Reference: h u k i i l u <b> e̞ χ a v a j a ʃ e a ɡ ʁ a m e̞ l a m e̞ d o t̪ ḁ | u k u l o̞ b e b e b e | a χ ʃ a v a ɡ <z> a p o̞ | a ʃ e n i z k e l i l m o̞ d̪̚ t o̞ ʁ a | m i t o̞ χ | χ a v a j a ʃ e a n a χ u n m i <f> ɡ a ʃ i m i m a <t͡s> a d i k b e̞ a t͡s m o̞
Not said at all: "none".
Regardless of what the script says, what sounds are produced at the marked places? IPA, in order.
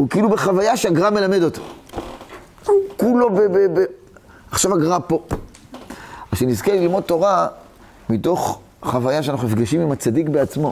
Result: b, ʁ, f, t͡s

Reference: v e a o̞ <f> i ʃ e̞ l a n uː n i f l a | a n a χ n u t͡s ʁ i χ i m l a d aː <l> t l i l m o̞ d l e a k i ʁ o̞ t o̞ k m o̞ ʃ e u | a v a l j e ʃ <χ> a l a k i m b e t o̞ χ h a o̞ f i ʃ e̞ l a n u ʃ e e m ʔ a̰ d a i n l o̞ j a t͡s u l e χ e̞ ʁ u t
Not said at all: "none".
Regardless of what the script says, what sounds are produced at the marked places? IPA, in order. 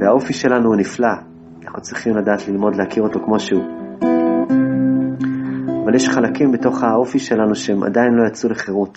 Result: f, none, χ

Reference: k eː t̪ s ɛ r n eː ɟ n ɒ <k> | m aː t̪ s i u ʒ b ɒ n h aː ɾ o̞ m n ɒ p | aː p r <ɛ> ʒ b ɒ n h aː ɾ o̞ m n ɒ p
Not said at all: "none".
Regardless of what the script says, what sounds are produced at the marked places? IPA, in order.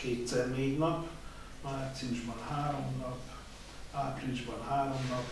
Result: p, i

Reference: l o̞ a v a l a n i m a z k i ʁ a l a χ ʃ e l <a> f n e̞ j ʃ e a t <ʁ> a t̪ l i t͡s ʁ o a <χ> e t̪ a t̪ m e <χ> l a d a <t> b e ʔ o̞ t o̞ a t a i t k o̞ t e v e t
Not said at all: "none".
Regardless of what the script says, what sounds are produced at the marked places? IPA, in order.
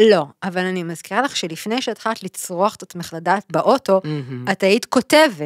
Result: i, χ, χ, χ, t

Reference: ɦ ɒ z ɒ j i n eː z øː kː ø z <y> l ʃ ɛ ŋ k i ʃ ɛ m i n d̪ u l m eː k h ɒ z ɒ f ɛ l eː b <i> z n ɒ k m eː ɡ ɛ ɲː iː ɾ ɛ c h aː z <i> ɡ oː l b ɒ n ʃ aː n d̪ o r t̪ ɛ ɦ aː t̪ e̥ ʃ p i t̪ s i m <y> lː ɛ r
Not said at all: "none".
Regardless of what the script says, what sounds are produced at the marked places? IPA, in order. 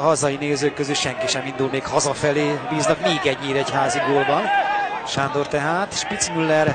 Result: y, iː, i, y

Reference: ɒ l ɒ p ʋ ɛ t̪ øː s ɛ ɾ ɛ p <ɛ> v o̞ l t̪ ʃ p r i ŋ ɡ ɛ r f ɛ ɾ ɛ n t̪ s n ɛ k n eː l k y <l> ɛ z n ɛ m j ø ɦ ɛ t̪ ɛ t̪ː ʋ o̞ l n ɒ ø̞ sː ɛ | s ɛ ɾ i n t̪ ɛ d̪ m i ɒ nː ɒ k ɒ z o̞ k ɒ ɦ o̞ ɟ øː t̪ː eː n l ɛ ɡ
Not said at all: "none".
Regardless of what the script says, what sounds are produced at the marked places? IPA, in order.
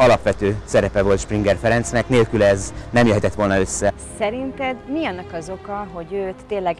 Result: ɛ, l

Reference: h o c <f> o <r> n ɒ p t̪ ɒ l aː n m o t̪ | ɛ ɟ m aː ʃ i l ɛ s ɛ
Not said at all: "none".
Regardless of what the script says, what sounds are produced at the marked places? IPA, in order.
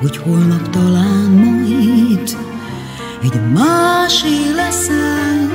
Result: h, l

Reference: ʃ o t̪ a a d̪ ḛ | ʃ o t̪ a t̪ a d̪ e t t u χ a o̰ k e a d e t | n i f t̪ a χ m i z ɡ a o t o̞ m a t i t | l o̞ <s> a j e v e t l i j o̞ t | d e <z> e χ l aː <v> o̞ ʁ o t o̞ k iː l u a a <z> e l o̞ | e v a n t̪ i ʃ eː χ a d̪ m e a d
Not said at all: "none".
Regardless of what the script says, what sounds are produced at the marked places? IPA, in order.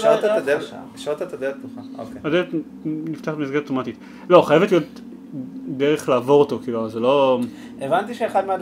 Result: χ, ʁ, v, z

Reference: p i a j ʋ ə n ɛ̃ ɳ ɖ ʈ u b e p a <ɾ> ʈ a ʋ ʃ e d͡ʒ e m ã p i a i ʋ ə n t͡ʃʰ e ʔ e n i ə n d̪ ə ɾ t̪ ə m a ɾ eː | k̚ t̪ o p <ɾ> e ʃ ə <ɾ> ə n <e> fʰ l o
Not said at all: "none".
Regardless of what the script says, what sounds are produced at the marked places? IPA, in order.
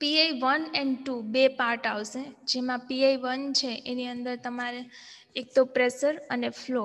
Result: ɾ, ɾ, ɾ, e

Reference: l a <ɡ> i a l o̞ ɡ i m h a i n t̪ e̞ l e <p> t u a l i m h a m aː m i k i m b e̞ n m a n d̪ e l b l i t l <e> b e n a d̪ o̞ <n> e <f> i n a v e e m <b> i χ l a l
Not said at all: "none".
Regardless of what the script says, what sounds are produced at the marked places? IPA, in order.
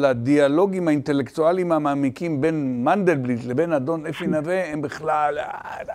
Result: d, k, e, n, f, b

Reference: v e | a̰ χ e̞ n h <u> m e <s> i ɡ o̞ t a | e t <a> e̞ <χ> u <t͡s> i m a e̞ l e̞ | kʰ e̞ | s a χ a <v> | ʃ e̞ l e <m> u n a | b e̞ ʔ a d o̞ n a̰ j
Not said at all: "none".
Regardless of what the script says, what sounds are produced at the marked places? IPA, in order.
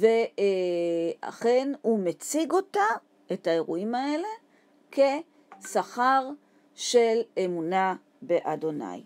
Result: u, t͡s, a, ʁ, none, ʁ, m

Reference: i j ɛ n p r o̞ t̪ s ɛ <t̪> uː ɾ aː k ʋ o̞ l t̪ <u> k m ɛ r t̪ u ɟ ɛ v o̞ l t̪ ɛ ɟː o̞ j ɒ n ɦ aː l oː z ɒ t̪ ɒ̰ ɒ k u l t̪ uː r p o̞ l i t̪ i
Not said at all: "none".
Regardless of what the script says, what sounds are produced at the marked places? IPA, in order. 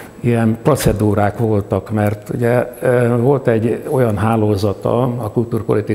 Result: d̪, ɒ

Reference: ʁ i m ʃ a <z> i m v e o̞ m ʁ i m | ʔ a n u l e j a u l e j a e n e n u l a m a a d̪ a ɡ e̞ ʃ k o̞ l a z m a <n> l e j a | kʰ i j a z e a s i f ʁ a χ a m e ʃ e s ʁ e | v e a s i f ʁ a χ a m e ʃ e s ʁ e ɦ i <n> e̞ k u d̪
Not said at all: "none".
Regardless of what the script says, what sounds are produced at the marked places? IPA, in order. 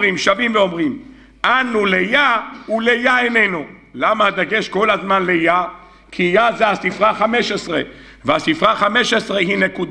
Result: v, n, n

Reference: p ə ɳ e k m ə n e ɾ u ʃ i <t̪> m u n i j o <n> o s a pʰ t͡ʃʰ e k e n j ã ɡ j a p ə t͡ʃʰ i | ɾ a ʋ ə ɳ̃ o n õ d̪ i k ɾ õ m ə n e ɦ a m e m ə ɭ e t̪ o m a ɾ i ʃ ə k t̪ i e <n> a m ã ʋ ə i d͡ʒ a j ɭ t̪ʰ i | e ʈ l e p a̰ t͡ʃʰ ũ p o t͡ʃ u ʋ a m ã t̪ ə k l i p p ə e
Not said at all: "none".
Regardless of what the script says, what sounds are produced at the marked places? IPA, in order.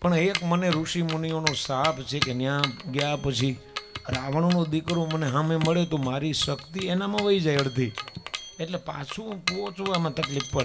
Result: none, n, n

